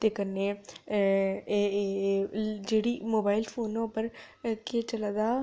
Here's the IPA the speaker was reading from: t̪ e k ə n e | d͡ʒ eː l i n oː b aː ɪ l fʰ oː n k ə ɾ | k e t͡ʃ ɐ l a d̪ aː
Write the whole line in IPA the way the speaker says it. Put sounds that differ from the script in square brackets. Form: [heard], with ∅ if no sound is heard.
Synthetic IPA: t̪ e k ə n e | d͡ʒ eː [ɽ] i [m] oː b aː ɪ l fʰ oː n [p] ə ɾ | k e t͡ʃ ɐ l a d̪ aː